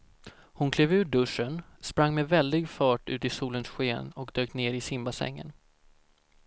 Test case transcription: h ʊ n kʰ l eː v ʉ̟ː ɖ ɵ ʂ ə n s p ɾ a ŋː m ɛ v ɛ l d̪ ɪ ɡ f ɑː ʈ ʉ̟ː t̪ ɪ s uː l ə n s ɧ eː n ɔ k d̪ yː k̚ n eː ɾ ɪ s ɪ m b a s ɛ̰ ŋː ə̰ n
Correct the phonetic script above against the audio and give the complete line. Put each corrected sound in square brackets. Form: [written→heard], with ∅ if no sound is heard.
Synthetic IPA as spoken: h ʊ n kʰ l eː v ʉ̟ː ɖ ɵ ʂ ə n s p ɾ a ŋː m ɛ v ɛ l d̪ ɪ ɡ f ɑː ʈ ʉ̟ː t̪ ɪ s uː l ə n s ɧ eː n ɔ k d̪ [yː→øː] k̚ n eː ɾ ɪ s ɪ m b a s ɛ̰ ŋː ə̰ n